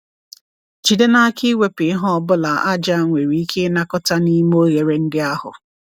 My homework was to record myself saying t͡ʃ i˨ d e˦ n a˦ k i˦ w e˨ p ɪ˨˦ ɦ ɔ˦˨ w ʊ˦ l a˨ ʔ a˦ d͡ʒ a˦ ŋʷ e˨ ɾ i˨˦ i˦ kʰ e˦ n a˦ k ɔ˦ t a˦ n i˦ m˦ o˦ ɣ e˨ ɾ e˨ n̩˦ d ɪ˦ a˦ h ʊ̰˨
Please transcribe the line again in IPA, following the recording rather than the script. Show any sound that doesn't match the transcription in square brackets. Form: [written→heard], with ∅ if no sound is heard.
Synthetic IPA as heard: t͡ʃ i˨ d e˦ n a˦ k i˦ w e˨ p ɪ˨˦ ɦ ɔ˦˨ [w→b] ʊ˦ l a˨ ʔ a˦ d͡ʒ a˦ ŋʷ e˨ ɾ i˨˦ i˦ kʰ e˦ n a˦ k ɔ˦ t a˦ n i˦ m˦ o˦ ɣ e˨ ɾ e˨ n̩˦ d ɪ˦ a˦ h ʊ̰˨